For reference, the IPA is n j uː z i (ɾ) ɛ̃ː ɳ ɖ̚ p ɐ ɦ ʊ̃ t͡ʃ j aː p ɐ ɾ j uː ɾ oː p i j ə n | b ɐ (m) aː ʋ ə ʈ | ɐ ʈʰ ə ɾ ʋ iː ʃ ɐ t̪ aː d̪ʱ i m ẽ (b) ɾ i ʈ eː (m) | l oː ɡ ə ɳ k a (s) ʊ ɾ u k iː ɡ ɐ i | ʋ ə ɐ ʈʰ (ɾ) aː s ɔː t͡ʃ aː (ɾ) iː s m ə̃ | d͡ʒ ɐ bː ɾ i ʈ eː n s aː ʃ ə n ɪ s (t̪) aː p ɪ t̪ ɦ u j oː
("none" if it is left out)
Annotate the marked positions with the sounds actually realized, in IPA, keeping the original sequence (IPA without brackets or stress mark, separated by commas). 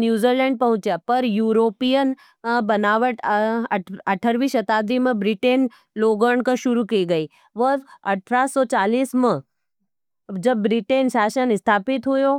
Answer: l, n, b, n, ʃ, ɾ, l, t̪ʰ